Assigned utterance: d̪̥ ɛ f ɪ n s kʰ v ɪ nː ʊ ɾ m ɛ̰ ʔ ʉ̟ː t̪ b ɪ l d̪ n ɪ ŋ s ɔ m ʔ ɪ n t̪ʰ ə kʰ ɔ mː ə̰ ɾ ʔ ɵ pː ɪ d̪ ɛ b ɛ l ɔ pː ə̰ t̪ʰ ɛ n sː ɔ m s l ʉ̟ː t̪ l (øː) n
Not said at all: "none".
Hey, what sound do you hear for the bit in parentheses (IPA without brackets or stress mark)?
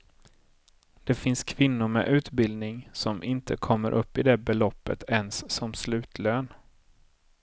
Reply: øː